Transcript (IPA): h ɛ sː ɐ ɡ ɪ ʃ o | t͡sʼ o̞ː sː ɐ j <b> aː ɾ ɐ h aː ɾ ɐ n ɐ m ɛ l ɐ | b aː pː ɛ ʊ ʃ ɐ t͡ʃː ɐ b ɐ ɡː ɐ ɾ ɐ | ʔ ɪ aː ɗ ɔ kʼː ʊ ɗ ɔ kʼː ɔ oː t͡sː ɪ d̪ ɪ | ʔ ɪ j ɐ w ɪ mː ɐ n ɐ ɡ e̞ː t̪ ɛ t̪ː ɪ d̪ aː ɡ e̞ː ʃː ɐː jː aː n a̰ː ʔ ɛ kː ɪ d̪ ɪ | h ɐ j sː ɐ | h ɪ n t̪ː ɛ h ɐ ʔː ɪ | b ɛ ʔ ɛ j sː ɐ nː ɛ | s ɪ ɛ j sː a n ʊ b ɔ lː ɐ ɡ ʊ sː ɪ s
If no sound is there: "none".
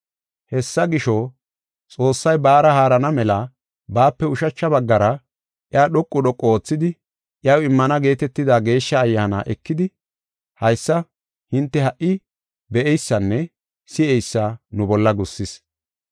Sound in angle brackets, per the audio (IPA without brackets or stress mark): b